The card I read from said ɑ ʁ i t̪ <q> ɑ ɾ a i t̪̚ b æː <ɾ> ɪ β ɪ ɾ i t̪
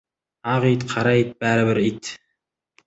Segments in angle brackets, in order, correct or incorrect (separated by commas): incorrect, correct